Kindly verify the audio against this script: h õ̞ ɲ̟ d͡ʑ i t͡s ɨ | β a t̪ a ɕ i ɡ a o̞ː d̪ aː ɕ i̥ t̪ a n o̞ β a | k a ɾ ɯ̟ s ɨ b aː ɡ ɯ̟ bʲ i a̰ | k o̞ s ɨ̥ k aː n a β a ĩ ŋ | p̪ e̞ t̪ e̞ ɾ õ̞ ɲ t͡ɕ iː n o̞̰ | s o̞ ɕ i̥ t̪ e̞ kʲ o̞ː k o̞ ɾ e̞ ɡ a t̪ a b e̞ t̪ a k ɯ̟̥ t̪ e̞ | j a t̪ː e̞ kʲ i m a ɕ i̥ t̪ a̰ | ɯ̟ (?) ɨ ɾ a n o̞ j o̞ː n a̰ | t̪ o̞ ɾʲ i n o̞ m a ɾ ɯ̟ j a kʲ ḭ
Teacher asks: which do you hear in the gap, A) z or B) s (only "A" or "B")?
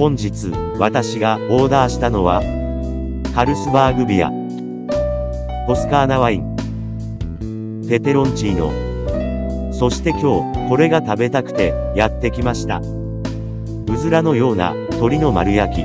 A